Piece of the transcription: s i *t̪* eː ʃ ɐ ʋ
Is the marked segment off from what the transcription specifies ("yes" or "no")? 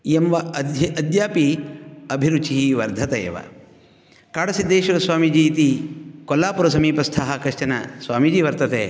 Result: yes